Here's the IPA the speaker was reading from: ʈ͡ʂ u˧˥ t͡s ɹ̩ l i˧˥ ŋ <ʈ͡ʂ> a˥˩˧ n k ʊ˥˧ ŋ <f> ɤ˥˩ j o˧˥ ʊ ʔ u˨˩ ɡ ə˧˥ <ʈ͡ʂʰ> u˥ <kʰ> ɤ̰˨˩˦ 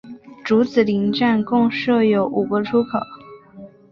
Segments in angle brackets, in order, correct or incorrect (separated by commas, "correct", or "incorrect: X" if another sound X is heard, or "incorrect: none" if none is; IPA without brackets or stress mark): correct, incorrect: ʂ, correct, correct